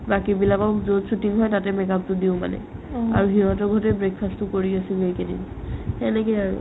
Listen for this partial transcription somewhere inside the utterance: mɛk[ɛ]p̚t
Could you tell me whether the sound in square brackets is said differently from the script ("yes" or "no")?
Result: yes